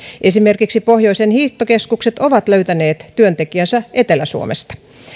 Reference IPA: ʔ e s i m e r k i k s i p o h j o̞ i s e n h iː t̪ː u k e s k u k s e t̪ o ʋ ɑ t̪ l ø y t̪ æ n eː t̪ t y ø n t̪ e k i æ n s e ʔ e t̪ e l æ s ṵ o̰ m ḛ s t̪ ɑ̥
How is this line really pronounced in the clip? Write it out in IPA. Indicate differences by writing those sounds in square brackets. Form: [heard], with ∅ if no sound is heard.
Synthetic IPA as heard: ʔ e s i m e r k i k s i p o h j o̞ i s e n h iː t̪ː [o] k e s k u k s e t̪ o ʋ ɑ t̪ l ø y t̪ æ n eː t̪ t y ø n t̪ e k i æ n s [æ] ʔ e t̪ e l æ s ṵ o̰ m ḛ s t̪ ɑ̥